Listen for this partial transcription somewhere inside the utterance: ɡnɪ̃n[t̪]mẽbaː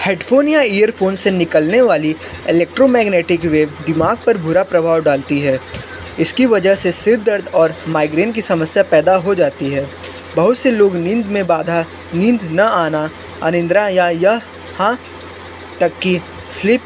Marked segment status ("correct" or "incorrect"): incorrect